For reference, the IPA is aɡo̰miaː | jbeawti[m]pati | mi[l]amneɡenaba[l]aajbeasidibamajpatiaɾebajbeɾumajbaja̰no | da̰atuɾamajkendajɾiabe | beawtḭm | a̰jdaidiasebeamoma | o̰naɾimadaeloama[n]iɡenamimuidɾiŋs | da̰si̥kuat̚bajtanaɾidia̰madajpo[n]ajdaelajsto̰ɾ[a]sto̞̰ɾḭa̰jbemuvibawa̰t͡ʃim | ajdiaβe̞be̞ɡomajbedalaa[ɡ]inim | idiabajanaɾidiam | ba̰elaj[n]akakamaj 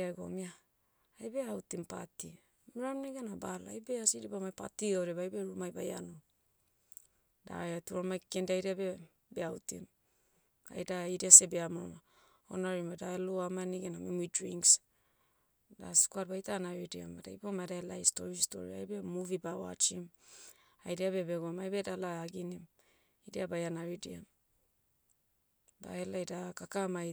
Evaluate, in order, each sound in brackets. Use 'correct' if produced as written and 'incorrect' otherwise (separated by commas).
correct, incorrect, correct, correct, incorrect, incorrect, correct, incorrect